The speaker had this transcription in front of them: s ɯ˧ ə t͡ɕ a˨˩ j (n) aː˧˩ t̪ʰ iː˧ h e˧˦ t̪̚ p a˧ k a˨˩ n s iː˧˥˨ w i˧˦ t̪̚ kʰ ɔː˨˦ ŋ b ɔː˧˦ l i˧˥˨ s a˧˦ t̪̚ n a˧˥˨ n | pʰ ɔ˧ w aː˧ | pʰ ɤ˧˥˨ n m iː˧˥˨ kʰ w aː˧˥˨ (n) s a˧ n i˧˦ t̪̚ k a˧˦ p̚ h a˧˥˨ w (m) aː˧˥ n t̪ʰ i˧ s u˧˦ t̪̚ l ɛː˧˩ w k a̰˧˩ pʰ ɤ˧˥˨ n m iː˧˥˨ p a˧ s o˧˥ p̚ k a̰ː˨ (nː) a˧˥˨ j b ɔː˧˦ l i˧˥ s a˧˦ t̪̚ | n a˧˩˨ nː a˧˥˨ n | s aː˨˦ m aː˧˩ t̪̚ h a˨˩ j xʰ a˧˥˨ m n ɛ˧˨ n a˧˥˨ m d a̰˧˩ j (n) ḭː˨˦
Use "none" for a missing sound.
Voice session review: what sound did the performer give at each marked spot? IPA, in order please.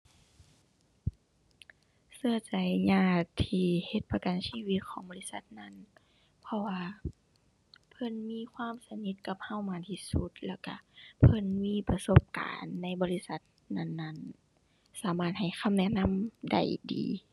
ɲ, m, m, nː, d

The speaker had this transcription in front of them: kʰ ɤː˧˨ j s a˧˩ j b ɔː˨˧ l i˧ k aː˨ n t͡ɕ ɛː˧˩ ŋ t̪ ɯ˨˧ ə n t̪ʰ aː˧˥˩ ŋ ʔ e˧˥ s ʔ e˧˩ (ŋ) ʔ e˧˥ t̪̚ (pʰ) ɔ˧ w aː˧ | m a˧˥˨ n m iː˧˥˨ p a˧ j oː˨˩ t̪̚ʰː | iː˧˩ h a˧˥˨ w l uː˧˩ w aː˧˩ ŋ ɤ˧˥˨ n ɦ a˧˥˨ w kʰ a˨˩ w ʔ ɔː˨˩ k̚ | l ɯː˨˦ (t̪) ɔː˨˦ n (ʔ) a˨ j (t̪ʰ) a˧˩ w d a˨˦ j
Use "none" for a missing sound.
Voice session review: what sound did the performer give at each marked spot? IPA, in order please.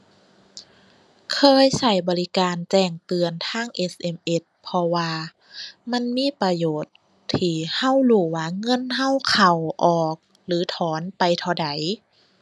m, pʰ, t̪ʰ, p, t̪ʰ

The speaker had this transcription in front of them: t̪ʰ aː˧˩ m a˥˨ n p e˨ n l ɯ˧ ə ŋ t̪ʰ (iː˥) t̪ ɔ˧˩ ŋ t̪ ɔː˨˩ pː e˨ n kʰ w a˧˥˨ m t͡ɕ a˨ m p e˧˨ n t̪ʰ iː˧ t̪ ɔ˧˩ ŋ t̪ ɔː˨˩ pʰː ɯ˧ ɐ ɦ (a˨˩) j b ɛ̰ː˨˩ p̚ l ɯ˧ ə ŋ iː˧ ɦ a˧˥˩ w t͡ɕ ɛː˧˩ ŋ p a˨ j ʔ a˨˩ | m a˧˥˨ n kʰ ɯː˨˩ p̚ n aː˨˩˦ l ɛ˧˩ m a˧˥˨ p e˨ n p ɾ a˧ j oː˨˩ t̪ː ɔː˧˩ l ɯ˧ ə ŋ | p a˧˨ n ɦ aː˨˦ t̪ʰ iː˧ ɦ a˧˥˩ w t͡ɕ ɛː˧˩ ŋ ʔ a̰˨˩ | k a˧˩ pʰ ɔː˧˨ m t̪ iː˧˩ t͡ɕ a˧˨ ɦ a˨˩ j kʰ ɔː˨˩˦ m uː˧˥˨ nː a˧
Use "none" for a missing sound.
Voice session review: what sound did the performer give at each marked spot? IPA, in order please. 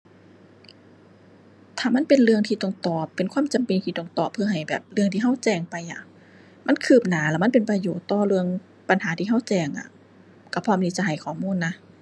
iː˧, a˨˩

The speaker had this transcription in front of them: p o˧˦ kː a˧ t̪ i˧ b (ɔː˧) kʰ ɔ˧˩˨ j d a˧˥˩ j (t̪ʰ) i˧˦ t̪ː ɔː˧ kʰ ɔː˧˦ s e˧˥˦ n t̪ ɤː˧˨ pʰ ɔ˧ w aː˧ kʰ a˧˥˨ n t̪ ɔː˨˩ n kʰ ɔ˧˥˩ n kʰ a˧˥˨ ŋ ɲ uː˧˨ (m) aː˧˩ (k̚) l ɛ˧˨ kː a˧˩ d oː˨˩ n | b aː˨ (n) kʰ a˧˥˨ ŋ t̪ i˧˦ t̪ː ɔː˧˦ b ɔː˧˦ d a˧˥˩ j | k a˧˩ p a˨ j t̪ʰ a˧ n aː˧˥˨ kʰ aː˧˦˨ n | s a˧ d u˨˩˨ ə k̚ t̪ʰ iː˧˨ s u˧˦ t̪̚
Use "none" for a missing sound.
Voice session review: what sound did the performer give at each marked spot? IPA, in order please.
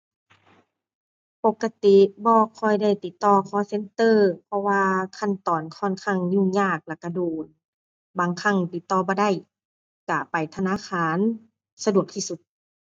ɔː˧, t̪, ɲ, k̚, ŋ

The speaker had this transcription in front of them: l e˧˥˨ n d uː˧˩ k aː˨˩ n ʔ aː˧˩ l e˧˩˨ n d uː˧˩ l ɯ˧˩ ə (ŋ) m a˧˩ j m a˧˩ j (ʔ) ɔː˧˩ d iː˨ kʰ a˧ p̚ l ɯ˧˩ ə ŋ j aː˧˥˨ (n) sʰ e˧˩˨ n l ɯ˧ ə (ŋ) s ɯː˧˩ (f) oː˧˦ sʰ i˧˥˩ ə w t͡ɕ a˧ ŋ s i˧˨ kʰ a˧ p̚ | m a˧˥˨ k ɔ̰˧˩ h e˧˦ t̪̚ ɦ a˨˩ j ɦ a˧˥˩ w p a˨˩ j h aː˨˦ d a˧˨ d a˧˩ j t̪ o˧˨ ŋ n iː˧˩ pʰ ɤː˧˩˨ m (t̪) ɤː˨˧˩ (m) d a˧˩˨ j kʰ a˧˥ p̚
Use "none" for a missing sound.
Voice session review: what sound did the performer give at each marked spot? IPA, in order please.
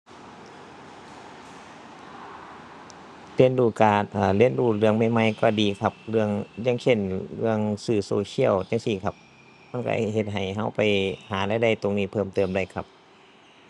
ŋ, k, ŋ, ŋ, s, t̪, m

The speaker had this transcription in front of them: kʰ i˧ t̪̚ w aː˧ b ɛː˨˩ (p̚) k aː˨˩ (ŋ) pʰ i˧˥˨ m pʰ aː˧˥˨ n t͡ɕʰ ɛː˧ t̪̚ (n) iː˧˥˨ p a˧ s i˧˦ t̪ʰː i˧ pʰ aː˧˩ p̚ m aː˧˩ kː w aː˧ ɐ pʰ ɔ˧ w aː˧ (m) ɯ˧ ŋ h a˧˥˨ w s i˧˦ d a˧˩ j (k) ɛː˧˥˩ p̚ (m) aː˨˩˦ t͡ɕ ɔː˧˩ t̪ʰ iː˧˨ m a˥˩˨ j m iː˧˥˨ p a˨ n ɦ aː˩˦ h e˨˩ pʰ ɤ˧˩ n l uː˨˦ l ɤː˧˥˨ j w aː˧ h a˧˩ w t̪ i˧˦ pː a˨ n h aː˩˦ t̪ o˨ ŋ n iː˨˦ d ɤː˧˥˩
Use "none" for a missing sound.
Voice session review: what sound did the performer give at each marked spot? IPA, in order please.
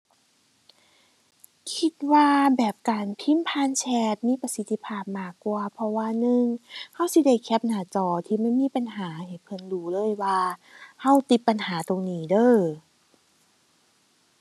p̚, n, m, n, kʰ, n

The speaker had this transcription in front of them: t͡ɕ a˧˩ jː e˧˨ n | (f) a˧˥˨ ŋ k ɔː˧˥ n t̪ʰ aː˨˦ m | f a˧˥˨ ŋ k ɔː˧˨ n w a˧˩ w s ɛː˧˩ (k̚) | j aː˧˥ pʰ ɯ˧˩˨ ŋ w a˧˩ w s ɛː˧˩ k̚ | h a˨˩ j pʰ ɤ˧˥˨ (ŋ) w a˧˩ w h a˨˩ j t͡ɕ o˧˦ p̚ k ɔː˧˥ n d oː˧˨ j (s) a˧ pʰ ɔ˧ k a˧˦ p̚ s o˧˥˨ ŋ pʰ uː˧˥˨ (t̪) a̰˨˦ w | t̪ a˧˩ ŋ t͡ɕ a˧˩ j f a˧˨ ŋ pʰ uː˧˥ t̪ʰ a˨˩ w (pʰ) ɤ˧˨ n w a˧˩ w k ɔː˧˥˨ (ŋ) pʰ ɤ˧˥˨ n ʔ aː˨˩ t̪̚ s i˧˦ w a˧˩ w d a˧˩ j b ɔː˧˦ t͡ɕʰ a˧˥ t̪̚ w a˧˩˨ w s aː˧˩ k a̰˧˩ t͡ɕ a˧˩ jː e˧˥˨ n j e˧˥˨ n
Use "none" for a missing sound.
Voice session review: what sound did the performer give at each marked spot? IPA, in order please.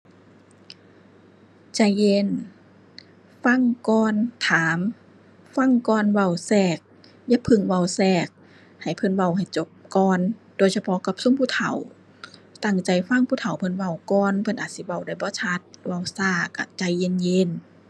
f, k̚, n, s, t̪ʰ, pʰ, n

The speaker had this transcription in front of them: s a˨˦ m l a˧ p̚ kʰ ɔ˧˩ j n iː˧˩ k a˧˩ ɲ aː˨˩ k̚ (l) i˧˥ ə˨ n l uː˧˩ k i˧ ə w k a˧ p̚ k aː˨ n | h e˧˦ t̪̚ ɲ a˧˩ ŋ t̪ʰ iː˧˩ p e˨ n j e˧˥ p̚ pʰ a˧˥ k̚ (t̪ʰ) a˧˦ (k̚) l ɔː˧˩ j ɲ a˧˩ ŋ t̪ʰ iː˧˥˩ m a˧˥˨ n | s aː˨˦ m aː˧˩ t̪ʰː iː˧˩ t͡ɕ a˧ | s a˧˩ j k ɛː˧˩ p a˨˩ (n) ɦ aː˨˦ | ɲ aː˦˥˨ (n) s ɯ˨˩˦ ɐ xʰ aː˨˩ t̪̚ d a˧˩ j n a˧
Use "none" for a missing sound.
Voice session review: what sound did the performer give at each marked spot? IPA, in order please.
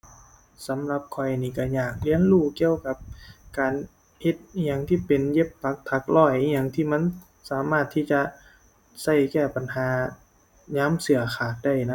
l, t̪ʰ, k̚, n, m

